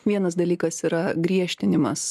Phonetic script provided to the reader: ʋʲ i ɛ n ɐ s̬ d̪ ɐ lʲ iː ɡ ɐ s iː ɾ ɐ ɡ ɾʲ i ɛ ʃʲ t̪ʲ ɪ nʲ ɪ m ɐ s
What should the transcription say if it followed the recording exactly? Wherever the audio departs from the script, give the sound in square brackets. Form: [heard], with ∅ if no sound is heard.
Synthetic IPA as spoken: ʋʲ i ɛ n ɐ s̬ d̪ ɐ lʲ iː [k] ɐ s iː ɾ ɐ ɡ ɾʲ i ɛ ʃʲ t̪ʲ ɪ nʲ ɪ m ɐ s